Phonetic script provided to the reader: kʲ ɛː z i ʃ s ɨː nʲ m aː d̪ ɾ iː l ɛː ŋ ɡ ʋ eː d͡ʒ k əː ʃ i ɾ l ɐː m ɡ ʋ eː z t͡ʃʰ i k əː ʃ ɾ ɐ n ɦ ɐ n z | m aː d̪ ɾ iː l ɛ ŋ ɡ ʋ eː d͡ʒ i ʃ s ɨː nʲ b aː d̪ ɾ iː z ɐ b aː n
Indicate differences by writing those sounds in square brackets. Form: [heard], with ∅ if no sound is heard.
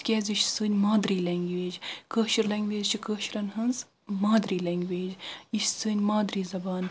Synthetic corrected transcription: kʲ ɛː z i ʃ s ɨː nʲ m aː d̪ ɾ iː l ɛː ŋ ɡ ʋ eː d͡ʒ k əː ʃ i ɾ l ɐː [ŋ] ɡ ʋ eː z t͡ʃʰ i k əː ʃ ɾ ɐ n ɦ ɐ n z | m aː d̪ ɾ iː l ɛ ŋ ɡ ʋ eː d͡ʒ i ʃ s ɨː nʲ [m] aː d̪ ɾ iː z ɐ b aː n